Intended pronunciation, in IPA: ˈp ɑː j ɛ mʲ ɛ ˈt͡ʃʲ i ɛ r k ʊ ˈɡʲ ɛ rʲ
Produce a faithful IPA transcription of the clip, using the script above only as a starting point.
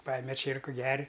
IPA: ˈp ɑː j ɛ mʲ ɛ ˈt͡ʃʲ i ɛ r k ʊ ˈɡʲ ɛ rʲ